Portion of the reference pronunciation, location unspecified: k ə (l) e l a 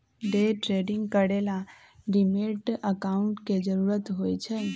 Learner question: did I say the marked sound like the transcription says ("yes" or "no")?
no